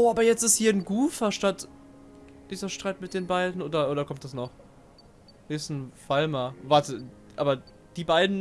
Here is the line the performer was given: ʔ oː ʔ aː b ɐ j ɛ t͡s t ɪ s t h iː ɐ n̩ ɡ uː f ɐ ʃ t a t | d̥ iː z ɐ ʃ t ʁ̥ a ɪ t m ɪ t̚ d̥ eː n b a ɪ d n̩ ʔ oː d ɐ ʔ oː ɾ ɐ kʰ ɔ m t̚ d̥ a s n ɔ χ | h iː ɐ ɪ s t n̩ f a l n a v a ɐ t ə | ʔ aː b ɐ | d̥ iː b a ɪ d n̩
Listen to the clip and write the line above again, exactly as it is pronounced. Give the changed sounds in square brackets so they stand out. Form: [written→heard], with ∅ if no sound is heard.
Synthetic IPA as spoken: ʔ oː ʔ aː b ɐ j ɛ t͡s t ɪ s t h iː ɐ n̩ ɡ uː f ɐ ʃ t a t | d̥ iː z ɐ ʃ t ʁ̥ a ɪ t m ɪ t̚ d̥ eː n b a ɪ d n̩ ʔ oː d ɐ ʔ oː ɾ ɐ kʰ ɔ m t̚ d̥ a s n ɔ χ | h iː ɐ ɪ s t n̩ f a l [n→m] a v a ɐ t ə | ʔ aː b ɐ | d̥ iː b a ɪ d n̩